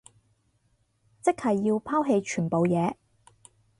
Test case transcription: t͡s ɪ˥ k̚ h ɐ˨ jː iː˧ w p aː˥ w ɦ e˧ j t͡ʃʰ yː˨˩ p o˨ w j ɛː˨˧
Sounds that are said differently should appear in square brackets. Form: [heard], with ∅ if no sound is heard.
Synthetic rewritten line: t͡s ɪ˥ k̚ h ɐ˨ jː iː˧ w [pʰ] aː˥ w ɦ e˧ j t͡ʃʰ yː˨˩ p o˨ w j ɛː˨˧

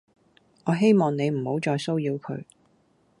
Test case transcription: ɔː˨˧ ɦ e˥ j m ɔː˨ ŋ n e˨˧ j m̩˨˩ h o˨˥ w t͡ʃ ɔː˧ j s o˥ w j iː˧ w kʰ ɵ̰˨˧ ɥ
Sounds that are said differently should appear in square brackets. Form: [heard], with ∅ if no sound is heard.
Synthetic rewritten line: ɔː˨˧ ɦ e˥ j m ɔː˨ ŋ n e˨˧ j m̩˨˩ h o˨˥ w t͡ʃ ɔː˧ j s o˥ w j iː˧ w kʰ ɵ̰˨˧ ɥ

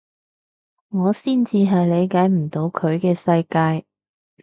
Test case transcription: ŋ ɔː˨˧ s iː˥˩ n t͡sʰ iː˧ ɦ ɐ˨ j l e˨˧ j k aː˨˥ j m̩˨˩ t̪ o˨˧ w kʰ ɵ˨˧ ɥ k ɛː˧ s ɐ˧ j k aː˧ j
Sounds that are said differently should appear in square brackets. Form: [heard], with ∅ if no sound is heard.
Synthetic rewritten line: ŋ ɔː˨˧ s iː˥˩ n [t͡s] iː˧ ɦ ɐ˨ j l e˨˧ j k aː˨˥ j m̩˨˩ t̪ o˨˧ w kʰ ɵ˨˧ ɥ k ɛː˧ s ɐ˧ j k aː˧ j

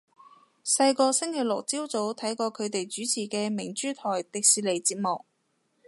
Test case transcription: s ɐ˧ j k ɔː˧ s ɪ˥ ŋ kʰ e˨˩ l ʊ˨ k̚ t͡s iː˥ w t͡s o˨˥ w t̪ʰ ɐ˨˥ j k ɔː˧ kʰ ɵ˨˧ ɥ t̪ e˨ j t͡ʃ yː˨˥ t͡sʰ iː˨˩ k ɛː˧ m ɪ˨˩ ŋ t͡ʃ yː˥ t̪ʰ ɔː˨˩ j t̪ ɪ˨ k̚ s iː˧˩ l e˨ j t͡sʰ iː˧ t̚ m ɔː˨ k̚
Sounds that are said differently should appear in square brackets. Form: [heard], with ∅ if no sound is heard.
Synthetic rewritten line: s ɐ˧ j k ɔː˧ s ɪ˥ ŋ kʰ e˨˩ l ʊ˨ k̚ t͡s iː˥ w t͡s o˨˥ w t̪ʰ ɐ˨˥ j k ɔː˧ kʰ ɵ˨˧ ɥ t̪ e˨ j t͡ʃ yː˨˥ t͡sʰ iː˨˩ k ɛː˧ m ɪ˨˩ ŋ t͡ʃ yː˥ t̪ʰ ɔː˨˩ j t̪ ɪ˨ k̚ s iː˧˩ l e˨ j [t͡s] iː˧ t̚ m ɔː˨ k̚

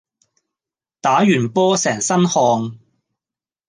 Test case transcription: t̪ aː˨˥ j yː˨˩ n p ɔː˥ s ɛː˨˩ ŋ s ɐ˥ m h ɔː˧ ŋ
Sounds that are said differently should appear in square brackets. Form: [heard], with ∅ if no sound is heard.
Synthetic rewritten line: t̪ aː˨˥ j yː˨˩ n p ɔː˥ s ɛː˨˩ ŋ s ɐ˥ [n] h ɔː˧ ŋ

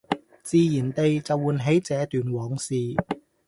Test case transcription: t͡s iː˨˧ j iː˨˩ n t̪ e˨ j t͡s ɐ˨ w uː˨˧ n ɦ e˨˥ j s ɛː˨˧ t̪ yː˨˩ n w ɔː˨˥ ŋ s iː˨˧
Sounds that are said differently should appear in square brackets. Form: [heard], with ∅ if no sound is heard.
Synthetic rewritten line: t͡s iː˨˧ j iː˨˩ n t̪ e˨ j t͡s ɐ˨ w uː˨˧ n ɦ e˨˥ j [t͡s] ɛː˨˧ t̪ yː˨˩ n w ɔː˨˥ ŋ s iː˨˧

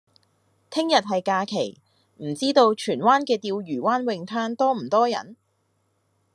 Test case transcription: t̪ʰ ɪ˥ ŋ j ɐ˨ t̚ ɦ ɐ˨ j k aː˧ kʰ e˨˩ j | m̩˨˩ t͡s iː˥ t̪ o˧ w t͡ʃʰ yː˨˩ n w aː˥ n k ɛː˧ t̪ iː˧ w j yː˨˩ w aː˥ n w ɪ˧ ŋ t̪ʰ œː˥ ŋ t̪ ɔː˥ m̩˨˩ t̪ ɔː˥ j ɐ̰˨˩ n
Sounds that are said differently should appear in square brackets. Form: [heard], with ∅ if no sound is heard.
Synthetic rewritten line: t̪ʰ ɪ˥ ŋ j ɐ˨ t̚ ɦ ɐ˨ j k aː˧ kʰ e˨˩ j | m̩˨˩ t͡s iː˥ t̪ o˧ w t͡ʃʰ yː˨˩ n w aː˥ n k ɛː˧ t̪ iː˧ w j yː˨˩ w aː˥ n w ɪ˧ ŋ t̪ʰ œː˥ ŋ t̪ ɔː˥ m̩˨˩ t̪ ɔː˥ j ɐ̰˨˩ n

